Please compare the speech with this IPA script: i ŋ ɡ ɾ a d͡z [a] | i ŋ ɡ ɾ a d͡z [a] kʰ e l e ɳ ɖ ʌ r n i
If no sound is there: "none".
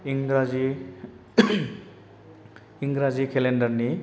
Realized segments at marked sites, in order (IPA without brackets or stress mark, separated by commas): i, i